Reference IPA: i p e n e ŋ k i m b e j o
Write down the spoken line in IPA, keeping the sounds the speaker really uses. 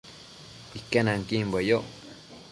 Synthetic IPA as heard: i k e n a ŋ k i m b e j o